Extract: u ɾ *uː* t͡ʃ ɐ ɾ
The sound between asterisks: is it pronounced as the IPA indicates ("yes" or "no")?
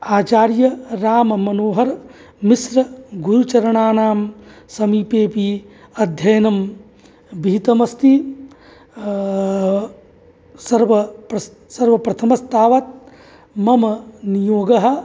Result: no